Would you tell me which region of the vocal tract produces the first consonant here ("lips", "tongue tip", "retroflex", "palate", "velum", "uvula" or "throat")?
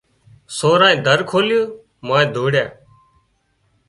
tongue tip